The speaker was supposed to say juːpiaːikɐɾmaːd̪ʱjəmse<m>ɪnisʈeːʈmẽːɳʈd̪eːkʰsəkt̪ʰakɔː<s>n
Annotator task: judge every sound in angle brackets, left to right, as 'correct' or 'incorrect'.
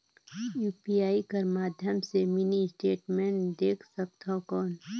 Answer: correct, incorrect

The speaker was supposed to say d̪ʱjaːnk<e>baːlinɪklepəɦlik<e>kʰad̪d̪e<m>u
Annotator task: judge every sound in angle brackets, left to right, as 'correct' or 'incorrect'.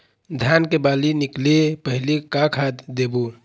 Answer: correct, incorrect, incorrect

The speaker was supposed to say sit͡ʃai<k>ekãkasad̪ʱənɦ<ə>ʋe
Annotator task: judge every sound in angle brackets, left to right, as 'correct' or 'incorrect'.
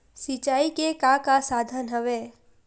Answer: correct, correct

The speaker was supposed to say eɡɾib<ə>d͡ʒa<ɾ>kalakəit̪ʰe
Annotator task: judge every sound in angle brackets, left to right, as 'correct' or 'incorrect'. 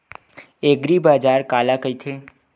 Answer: incorrect, correct

